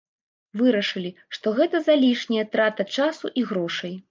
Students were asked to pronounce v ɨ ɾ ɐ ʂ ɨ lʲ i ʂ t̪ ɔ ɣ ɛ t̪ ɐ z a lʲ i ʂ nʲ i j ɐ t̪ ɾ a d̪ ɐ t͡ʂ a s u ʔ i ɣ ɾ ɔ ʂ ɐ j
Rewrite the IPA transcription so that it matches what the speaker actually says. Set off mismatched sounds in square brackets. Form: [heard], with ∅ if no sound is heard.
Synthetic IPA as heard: v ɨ ɾ ɐ ʂ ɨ lʲ i ʂ t̪ ɔ ɣ ɛ t̪ ɐ z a lʲ i ʂ nʲ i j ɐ t̪ ɾ a [t̪] ɐ t͡ʂ a s u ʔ i ɣ ɾ ɔ ʂ ɐ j